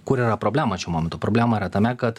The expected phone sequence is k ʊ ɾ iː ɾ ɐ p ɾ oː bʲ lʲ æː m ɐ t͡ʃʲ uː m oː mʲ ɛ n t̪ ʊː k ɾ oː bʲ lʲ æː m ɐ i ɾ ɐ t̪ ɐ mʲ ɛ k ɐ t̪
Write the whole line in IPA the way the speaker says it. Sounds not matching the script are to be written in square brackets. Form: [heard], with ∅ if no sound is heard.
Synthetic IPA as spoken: k ʊ ɾ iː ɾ ɐ p ɾ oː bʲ lʲ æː m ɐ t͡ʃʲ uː m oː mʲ ɛ n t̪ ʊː [p] ɾ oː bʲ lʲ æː m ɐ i ɾ ɐ t̪ ɐ mʲ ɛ k ɐ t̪